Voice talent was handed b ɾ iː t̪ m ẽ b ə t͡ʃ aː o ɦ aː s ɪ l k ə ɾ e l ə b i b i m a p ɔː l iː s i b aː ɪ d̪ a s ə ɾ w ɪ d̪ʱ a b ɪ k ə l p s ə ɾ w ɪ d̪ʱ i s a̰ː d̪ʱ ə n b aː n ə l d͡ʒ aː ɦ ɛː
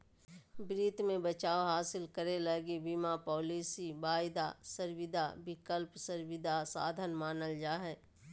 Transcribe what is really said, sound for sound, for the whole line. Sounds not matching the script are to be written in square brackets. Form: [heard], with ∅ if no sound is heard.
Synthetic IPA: b ɾ iː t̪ m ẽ b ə t͡ʃ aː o ɦ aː s ɪ l k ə ɾ e l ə [ɡ] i b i m a p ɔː l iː s i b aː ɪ d̪ a s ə ɾ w ɪ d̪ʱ a b ɪ k ə l p s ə ɾ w ɪ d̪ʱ [a] s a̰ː d̪ʱ ə n [m] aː n ə l d͡ʒ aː ɦ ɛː

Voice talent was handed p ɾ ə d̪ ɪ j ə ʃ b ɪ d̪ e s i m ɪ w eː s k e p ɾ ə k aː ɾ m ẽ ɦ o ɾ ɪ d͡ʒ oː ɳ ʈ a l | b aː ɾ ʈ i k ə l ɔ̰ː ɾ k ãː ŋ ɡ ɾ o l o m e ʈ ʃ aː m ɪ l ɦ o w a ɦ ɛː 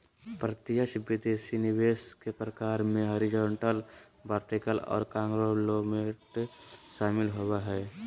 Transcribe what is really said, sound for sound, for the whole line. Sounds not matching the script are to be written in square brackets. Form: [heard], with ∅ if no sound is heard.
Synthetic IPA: p ɾ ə [t̪] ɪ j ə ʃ b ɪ d̪ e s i [n] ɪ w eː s k e p ɾ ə k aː ɾ m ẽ ɦ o ɾ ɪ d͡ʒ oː ɳ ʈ [ə] l | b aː ɾ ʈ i k ə l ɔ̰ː ɾ k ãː ŋ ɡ ɾ o l o m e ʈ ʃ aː m ɪ l ɦ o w a ɦ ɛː

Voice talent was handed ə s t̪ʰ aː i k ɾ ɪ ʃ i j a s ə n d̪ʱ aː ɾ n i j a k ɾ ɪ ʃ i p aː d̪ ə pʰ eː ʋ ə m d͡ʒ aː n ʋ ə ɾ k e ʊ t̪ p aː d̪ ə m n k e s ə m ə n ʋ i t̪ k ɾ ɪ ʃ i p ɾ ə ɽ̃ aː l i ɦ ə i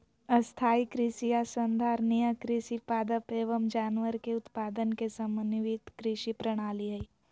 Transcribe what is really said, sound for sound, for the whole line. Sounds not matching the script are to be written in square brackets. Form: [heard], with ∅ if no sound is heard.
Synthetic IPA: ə s t̪ʰ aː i k ɾ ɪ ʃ i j a s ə n d̪ʱ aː ɾ n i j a k ɾ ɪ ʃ i p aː d̪ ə [p] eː ʋ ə m d͡ʒ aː n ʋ ə ɾ k e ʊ t̪ p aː d̪ ə [∅] n k e s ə m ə n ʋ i t̪ k ɾ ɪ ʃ i p ɾ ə ɽ̃ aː l i ɦ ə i

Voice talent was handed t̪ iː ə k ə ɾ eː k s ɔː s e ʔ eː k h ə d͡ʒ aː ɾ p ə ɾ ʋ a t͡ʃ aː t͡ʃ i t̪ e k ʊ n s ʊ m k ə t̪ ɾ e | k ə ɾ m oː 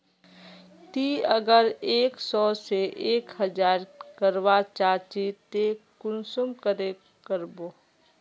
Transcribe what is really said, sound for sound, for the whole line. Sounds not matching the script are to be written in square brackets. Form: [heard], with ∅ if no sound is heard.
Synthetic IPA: t̪ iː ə [ɡ] ə ɾ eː k s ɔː s e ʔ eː k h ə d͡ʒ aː ɾ [k] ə ɾ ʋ a t͡ʃ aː t͡ʃ i t̪ e k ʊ n s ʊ m k ə [∅] ɾ e | k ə ɾ [b] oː

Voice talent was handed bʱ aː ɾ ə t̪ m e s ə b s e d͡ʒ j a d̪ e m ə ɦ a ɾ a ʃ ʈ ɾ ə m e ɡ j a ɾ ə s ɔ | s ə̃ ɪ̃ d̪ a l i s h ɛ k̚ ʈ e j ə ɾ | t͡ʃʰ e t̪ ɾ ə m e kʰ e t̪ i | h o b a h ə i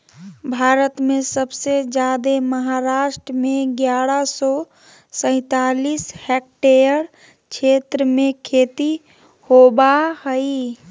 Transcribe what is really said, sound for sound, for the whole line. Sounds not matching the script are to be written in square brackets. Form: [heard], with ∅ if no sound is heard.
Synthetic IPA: bʱ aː ɾ ə t̪ m e s ə b s e d͡ʒ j a d̪ e m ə ɦ a ɾ a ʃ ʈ ɾ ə m e ɡ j a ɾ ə s ɔ | s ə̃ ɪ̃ [t̪] a l i s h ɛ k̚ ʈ e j ə ɾ | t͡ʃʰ e t̪ ɾ ə m e kʰ e t̪ i | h o b a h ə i

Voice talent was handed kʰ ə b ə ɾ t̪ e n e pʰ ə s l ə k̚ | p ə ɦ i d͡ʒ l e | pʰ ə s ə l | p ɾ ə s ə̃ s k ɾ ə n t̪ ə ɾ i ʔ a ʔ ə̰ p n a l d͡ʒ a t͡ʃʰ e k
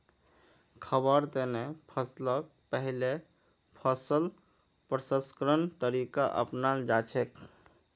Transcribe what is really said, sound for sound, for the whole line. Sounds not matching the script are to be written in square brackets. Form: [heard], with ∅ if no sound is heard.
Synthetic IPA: kʰ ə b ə ɾ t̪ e n e pʰ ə s l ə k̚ | p ə ɦ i [∅] l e | pʰ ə s ə l | p ɾ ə s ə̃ s k ɾ ə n t̪ ə ɾ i [k] a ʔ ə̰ p n a l d͡ʒ a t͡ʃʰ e k

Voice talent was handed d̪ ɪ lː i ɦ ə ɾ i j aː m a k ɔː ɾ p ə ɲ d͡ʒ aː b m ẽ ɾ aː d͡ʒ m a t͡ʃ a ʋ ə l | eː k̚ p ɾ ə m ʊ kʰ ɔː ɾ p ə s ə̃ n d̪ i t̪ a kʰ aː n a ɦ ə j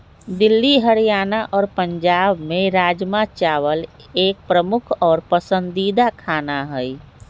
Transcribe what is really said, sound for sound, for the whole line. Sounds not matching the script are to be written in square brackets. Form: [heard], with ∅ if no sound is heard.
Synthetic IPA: d̪ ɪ lː i ɦ ə ɾ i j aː [n] a [ʔ] ɔː ɾ p ə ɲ d͡ʒ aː b m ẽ ɾ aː d͡ʒ m a t͡ʃ a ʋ ə l | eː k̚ p ɾ ə m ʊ kʰ ɔː ɾ p ə s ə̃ n d̪ i [d̪] a kʰ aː n a ɦ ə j

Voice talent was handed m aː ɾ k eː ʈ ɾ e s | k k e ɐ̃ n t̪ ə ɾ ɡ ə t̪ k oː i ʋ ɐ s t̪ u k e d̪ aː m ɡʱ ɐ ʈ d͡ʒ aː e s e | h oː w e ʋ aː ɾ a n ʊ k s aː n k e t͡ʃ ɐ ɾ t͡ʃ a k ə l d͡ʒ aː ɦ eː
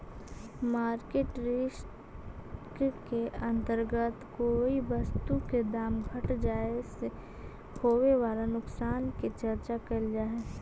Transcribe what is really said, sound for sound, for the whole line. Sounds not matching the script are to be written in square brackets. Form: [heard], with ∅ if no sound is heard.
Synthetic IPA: m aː ɾ k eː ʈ ɾ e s | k k e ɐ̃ n t̪ ə ɾ ɡ ə t̪ k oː i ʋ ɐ s t̪ u k e d̪ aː m ɡʱ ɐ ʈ d͡ʒ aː e s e | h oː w e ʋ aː [l] a n ʊ k s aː n k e t͡ʃ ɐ ɾ t͡ʃ a k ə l d͡ʒ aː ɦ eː

